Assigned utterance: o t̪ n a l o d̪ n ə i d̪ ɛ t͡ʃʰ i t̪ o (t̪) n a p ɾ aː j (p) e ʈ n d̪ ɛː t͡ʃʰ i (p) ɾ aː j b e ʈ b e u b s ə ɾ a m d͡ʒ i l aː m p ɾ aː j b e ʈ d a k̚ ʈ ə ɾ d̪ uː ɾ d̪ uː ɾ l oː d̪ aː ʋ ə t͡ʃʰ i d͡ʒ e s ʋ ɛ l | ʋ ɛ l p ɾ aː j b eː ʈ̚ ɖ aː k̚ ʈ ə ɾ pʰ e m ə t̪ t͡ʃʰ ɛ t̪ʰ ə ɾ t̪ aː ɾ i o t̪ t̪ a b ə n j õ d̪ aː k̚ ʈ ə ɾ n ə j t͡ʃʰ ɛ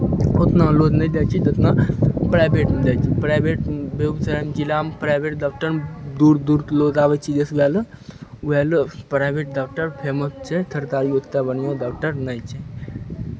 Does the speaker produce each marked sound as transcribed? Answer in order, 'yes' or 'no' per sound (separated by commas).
yes, no, yes